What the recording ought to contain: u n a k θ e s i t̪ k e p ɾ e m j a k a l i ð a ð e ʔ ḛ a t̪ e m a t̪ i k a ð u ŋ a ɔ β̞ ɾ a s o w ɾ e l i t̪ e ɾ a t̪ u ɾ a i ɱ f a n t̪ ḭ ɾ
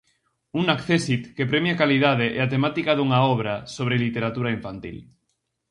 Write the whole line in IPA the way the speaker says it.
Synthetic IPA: u n a k θ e s i t̪ k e p ɾ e m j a k a l i ð a ð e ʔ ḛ a t̪ e m a t̪ i k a ð u ŋ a ɔ β̞ ɾ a s o β ɾ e l i t̪ e ɾ a t̪ u ɾ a i ɱ f a n t̪ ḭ l

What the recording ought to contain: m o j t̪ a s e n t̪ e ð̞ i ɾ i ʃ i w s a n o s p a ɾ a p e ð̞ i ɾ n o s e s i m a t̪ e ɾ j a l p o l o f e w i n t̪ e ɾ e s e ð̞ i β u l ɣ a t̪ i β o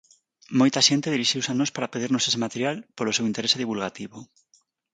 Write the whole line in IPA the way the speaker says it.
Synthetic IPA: m o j t̪ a ʃ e n t̪ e ð̞ i ɾ i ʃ i w s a n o s p a ɾ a p e ð̞ i ɾ n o s e s e m a t̪ e ɾ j a l p o l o s e w i n t̪ e ɾ e s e ð̞ i β u l ɣ a t̪ i β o

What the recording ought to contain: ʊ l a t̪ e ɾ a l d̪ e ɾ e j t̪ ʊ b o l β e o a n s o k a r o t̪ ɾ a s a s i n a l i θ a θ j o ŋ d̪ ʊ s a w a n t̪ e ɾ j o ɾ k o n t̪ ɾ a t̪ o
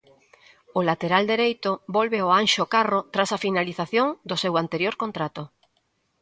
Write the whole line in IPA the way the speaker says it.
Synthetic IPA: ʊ l a t̪ e ɾ a l d̪ e ɾ e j t̪ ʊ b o l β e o a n ʃ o k a r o t̪ ɾ a s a f i n a l i θ a θ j o ŋ d̪ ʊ s e w a n t̪ e ɾ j o ɾ k o n t̪ ɾ a t̪ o

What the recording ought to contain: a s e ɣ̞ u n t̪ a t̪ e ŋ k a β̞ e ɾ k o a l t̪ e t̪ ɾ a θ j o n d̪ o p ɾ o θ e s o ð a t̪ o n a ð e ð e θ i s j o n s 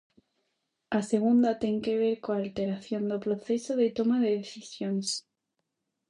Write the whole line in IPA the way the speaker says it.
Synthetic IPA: a s e ɣ̞ u n d̪ a t̪ e ŋ k e β̞ e ɾ k o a l t̪ e ɾ a θ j o n d̪ o p ɾ o θ e s o ð e t̪ o m a ð e ð e θ i s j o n s

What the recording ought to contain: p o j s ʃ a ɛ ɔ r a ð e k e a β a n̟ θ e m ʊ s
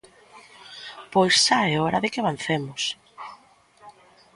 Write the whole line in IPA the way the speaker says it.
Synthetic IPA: p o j s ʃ a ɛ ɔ ɾ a ð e k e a β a n̟ θ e m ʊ s

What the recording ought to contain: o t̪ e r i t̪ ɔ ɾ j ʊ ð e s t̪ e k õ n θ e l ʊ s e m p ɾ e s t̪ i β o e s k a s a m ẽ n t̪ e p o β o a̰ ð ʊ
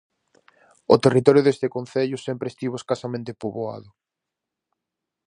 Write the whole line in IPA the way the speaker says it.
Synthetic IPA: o t̪ e r i t̪ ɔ ɾ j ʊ ð e s t̪ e k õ n θ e ʎ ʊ s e m p ɾ e s t̪ i β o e s k a s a m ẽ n t̪ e p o β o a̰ ð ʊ

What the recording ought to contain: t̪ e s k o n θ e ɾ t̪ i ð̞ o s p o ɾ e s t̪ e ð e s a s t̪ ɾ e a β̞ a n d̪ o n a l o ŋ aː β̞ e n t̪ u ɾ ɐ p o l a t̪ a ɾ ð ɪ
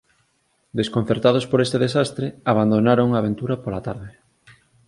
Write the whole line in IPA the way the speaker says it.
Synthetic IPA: d̪ e s k o n θ e ɾ t̪ a ð̞ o s p o ɾ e s t̪ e ð e s a s t̪ ɾ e a β̞ a n d̪ o n a ɾ o ŋ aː β̞ e n t̪ u ɾ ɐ p o l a t̪ a ɾ ð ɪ

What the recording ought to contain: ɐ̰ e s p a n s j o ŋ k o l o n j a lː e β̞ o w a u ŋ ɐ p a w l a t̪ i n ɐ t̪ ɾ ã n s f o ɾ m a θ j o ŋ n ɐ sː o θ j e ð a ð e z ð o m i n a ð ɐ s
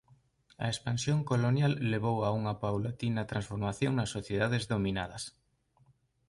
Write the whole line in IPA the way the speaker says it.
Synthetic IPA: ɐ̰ e s p a n s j o ŋ k o l o n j a lː e β̞ o w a u ŋ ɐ p a w l a t̪ i n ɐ t̪ ɾ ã n s f o ɾ m a θ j o ŋ n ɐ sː o θ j e ð a ð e z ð o m i n a ð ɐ s

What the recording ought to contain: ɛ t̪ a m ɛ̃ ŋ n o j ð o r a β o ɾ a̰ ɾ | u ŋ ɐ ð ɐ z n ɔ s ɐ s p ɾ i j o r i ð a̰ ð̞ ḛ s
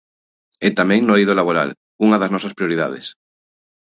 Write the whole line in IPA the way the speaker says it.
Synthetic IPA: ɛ t̪ a m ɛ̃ ŋ n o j ð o l a β o ɾ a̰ l | u ŋ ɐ ð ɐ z n ɔ s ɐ s p ɾ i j o ɾ i ð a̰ ð̞ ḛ s

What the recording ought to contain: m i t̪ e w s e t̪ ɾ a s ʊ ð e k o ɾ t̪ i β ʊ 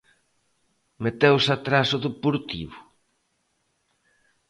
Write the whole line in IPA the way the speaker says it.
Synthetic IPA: m e t̪ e w s a t̪ ɾ a s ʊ ð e p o ɾ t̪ i β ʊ

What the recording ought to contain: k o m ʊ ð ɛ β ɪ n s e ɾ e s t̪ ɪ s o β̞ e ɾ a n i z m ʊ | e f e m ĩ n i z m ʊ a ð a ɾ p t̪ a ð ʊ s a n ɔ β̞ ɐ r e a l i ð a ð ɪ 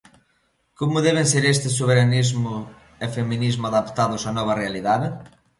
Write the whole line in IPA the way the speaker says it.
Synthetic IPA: k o m ʊ ð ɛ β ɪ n s e ɾ e s t̪ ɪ s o β̞ e ɾ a n i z m ʊ | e f e m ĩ n i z m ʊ a ð a p t̪ a ð ʊ s a n ɔ β̞ ɐ r e a l i ð a ð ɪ

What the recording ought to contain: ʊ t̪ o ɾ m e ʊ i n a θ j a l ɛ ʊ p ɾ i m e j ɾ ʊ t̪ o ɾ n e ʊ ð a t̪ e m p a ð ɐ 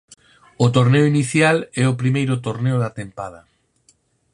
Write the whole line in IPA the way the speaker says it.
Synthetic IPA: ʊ t̪ o ɾ n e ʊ i n i θ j a l ɛ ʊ p ɾ i m e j ɾ ʊ t̪ o ɾ n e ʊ ð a t̪ e m p a ð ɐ

